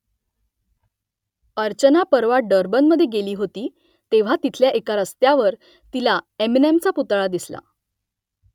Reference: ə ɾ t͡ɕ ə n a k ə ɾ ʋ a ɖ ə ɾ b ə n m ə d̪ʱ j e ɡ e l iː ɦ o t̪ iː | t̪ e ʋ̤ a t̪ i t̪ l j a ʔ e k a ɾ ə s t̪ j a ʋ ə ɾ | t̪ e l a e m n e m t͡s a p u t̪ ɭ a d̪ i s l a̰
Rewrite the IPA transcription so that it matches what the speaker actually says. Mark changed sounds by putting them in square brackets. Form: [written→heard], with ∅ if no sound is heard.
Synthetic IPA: ə ɾ t͡ɕ ə n a [k→p] ə ɾ ʋ a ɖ ə ɾ b ə n m ə d̪ʱ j e ɡ e l iː ɦ o t̪ iː | t̪ e ʋ̤ a t̪ i [t̪→t̪ʰ] l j a ʔ e k a ɾ ə s t̪ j a ʋ ə ɾ | t̪ [e→i] l a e m n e m t͡s a p u t̪ ɭ a d̪ i s l a̰

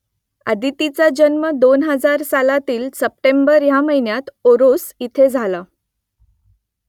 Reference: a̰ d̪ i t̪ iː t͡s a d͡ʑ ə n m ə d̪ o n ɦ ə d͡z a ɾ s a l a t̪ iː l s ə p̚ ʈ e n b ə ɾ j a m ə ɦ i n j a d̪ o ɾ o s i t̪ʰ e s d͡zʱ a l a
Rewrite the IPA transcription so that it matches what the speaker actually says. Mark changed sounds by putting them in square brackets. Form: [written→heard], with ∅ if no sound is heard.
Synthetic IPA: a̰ d̪ i t̪ [iː→i] t͡s a d͡ʑ ə n m ə d̪ o n ɦ ə d͡z a ɾ s a l a t̪ iː l s ə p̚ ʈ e [n→m] b ə ɾ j a m ə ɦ i n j a [d̪→t̪] o ɾ o s i t̪ʰ e [s→∅] d͡zʱ a l a

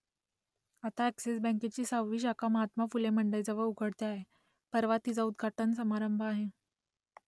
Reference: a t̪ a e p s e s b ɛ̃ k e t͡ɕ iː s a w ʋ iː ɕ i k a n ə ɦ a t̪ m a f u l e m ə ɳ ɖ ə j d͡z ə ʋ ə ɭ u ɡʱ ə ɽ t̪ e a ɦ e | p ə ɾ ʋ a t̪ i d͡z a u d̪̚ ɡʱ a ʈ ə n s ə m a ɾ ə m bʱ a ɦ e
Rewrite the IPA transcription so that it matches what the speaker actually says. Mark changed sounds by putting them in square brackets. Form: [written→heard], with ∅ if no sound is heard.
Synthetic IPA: a t̪ a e [p→k] s e s b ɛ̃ k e t͡ɕ iː s a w ʋ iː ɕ [i→a] k a [n→m] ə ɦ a t̪ m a f u l e m ə ɳ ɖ ə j d͡z ə ʋ ə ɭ u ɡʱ ə ɽ t̪ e a ɦ e | p ə ɾ ʋ a t̪ i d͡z a u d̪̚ ɡʱ a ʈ ə n s ə m a ɾ ə m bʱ a ɦ e

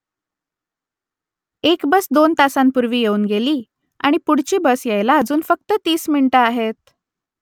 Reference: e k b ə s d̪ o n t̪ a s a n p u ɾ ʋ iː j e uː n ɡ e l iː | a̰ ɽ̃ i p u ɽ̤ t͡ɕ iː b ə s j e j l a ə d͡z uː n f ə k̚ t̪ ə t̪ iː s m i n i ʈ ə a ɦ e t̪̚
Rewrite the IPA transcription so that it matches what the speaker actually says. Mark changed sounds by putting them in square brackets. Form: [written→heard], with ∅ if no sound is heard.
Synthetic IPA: e k b ə s d̪ o n t̪ a s a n p u ɾ ʋ iː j e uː n ɡ e l iː | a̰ ɽ̃ i p u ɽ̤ t͡ɕ iː b ə s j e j l a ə d͡z uː n f ə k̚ t̪ ə t̪ iː s m i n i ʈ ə a ɦ e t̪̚

